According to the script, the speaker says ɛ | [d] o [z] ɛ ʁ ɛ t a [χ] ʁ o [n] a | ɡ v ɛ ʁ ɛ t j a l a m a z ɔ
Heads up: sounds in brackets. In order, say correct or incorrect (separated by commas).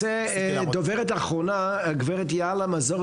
correct, incorrect, correct, correct